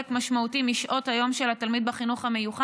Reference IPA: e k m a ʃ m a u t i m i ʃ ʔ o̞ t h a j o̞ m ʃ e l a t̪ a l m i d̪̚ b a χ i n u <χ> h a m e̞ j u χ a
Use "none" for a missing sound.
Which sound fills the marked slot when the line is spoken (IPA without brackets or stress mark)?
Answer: χ